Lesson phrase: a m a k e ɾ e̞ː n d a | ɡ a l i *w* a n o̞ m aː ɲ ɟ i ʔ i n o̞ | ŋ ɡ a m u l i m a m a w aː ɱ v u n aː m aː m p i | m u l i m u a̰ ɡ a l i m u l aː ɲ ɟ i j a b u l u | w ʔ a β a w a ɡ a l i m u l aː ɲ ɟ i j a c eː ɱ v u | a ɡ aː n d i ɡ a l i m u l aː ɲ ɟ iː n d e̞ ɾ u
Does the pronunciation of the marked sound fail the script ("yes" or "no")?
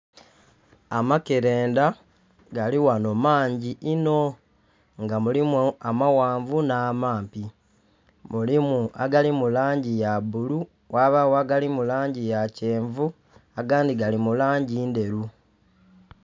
no